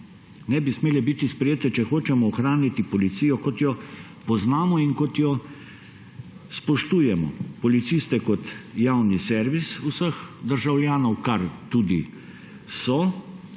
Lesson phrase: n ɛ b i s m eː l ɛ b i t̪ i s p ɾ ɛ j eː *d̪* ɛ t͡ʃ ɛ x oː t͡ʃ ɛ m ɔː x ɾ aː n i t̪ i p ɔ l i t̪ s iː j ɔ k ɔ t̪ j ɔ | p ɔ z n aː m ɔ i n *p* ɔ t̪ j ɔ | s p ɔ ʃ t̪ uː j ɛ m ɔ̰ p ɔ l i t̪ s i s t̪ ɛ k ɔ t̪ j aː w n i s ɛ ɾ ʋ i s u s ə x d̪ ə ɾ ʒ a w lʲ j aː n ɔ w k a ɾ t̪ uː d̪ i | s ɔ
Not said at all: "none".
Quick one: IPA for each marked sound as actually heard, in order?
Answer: t̪, k

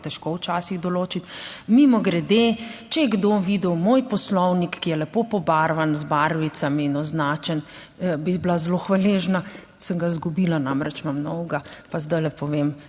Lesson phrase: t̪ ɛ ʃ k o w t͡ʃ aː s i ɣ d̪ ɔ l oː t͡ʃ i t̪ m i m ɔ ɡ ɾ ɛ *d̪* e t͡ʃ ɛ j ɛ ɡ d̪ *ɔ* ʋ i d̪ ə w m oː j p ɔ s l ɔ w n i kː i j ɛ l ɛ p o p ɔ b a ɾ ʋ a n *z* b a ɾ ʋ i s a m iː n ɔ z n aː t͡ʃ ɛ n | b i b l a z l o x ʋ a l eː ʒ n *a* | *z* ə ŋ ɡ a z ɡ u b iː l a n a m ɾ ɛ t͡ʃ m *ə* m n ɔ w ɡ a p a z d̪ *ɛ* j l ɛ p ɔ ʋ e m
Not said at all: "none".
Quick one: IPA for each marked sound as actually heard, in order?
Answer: d̪, o, z, a, s, a, a

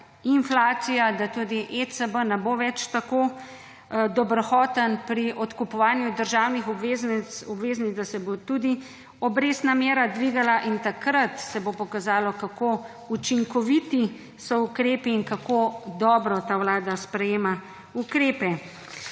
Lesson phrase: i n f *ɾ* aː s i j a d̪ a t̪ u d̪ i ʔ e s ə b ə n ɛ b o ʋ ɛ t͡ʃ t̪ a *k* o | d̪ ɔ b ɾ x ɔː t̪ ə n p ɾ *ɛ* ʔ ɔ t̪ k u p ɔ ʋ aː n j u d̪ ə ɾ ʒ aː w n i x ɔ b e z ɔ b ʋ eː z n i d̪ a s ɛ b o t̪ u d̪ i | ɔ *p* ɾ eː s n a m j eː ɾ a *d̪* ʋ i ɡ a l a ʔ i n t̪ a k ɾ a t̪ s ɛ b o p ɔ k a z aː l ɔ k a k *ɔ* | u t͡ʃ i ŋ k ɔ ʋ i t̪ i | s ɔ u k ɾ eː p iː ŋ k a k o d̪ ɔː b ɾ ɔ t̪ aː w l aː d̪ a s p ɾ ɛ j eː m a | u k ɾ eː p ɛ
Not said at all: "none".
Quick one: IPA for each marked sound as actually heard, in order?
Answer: l, k, i, b, d̪, o

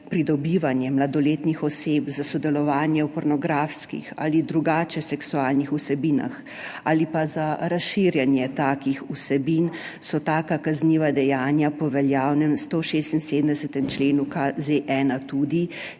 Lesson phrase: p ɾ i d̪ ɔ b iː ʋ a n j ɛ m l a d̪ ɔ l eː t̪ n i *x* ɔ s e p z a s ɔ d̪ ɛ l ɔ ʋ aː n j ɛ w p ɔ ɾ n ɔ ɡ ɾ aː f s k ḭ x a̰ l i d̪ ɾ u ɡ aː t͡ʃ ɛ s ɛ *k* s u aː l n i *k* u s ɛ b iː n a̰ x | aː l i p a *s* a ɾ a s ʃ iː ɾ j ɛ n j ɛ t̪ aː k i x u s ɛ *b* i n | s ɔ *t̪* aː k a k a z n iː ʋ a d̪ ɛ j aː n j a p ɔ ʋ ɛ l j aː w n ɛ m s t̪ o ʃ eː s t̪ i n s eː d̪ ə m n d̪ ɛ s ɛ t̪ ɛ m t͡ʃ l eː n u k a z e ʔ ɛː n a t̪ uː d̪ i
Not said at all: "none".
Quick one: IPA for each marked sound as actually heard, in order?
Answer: x, k, x, z, b, t̪

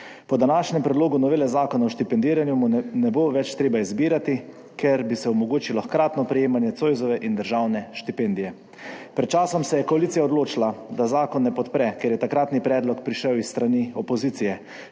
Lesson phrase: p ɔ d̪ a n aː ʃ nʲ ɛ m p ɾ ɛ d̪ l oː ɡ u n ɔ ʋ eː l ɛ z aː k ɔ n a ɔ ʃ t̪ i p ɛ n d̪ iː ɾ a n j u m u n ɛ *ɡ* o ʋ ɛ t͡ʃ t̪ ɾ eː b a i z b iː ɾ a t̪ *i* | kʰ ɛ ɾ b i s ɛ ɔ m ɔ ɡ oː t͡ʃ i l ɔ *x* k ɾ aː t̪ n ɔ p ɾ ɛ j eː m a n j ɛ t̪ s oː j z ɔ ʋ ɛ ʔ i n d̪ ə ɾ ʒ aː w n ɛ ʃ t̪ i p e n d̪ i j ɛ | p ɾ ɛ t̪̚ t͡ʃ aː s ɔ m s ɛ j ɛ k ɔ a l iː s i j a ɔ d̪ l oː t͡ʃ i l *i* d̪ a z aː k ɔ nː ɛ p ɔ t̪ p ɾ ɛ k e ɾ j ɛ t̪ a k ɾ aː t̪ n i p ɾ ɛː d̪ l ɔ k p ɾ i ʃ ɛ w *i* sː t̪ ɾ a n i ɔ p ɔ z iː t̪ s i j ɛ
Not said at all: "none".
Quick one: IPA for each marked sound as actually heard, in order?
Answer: b, i, x, a, i

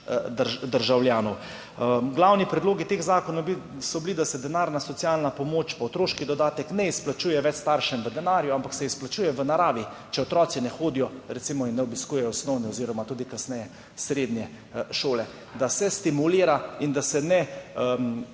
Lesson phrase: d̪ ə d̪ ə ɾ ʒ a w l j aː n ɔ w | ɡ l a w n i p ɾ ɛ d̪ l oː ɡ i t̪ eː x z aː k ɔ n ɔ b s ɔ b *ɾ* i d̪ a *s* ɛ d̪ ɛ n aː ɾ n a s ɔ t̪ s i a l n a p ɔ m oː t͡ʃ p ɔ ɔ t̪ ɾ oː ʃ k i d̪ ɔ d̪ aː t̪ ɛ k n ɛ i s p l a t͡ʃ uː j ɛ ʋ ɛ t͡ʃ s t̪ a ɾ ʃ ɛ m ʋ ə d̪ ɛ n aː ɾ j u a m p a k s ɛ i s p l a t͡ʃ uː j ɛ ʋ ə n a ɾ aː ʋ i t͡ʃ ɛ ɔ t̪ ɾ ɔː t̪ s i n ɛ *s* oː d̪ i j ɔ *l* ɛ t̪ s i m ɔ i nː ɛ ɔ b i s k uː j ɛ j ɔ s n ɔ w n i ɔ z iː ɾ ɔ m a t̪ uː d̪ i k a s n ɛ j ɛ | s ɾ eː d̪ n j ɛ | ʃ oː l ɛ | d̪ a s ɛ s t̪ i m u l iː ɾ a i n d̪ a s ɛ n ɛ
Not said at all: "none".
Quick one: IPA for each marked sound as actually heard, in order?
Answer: l, s, x, ɾ

